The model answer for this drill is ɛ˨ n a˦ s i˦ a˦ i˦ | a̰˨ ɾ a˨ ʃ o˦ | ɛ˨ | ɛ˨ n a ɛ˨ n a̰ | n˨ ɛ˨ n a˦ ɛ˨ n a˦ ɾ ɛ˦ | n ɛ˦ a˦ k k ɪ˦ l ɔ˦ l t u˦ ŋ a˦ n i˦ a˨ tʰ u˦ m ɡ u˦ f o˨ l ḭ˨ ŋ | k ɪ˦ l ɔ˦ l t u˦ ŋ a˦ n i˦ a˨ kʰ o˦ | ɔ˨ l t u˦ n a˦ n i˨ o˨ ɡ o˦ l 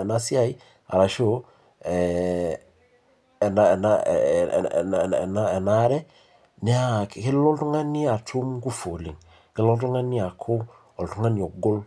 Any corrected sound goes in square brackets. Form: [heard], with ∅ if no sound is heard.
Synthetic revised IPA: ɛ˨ n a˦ s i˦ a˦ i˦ | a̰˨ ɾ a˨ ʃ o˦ | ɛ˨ | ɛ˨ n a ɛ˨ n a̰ | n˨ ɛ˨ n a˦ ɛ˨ n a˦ ɾ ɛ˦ | n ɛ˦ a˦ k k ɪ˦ l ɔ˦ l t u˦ ŋ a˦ n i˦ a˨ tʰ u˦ m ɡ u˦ f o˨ l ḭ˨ ŋ | k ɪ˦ l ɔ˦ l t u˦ ŋ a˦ n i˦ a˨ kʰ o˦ | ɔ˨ l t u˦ [ŋ] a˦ n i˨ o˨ ɡ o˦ l